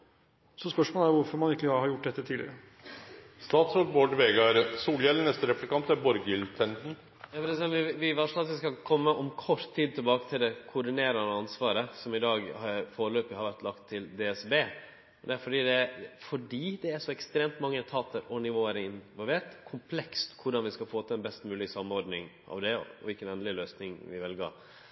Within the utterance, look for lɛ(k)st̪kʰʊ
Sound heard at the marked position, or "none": k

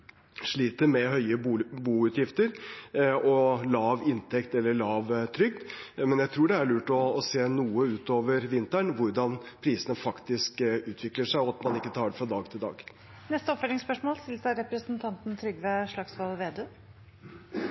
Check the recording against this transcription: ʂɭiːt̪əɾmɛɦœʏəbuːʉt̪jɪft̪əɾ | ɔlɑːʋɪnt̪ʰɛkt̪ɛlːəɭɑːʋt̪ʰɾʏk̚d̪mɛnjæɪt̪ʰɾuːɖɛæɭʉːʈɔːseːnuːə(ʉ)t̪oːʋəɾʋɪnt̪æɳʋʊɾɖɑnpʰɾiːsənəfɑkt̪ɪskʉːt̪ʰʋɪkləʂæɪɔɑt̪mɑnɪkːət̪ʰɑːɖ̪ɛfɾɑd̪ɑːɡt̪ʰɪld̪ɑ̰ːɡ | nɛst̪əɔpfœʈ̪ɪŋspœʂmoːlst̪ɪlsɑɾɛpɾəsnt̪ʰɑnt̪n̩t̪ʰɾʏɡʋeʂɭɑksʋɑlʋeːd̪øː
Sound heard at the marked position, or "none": ʉː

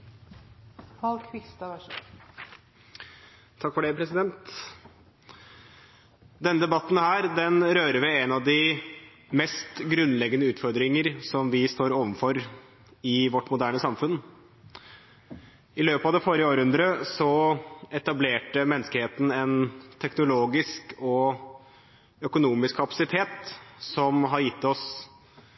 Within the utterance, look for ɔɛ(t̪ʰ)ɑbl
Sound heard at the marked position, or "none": t̪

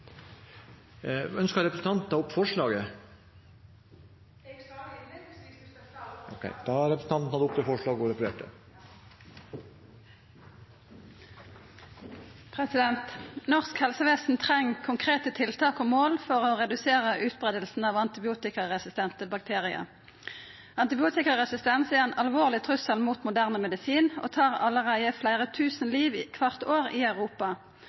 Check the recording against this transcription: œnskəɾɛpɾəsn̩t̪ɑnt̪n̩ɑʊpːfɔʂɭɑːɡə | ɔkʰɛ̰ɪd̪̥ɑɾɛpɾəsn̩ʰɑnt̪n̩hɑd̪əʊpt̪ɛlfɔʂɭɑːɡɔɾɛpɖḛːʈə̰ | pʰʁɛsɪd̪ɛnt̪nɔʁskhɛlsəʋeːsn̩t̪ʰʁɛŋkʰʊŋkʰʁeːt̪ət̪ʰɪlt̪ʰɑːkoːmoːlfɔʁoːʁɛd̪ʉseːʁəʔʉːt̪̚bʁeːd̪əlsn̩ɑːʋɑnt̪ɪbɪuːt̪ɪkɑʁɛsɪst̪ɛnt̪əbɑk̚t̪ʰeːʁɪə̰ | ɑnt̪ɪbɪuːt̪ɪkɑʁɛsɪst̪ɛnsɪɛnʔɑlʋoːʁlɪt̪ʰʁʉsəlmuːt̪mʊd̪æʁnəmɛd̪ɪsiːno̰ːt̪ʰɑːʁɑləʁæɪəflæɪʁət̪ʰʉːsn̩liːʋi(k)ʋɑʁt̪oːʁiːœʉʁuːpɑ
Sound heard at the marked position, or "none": kʰ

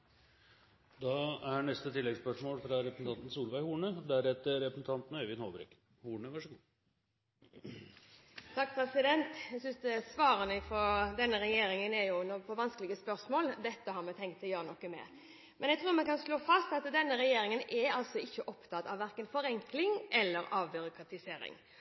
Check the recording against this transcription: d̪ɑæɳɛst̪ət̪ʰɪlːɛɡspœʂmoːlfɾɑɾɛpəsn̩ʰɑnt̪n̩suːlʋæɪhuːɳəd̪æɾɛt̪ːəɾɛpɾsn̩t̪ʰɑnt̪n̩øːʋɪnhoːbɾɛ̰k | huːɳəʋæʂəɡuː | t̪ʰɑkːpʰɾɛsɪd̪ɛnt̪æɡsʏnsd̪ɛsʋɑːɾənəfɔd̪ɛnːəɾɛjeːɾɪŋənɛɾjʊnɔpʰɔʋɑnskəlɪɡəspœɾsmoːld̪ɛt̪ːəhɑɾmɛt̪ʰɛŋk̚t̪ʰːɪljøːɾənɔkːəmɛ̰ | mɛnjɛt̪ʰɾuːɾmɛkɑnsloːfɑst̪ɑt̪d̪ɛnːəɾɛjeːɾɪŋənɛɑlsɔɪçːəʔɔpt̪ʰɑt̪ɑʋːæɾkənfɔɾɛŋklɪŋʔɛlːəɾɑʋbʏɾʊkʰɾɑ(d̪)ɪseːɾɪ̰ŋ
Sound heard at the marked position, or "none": t̪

